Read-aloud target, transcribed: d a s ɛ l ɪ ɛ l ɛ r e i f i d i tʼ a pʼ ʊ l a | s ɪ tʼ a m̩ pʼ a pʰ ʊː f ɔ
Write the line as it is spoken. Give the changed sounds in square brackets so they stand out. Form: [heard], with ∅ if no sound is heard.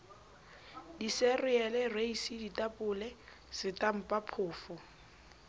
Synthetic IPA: d [i] s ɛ [r] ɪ ɛ l ɛ r e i [s] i d i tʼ a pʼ ʊ l [ɛ] | s ɪ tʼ a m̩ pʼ a pʰ ʊː f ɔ